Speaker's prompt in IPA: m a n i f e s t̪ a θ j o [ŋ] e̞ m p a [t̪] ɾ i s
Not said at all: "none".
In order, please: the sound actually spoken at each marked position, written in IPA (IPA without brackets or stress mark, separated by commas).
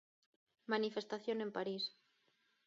n, none